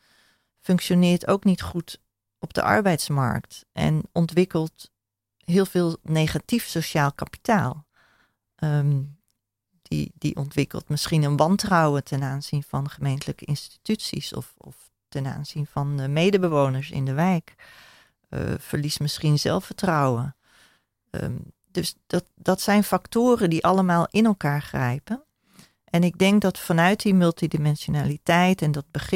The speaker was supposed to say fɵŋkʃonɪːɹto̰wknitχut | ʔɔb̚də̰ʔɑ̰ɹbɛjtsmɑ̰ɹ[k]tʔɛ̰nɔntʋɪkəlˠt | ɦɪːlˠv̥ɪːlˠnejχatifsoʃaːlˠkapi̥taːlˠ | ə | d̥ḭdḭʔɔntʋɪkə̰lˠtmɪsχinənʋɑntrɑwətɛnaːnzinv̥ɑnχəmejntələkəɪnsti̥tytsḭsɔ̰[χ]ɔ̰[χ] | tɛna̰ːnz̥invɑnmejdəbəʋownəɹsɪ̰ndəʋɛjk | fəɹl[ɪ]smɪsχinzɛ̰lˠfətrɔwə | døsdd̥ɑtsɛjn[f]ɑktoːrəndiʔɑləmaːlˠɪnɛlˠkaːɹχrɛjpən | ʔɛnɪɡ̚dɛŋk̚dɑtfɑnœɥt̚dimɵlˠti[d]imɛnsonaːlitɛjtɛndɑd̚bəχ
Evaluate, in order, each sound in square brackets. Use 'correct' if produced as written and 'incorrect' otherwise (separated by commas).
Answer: correct, incorrect, incorrect, incorrect, correct, correct